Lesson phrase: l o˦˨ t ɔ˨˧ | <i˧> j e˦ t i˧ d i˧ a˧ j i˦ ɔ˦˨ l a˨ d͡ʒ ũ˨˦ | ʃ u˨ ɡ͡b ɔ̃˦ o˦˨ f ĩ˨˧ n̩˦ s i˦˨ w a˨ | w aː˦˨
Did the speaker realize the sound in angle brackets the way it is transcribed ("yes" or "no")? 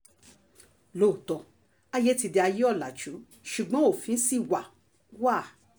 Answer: no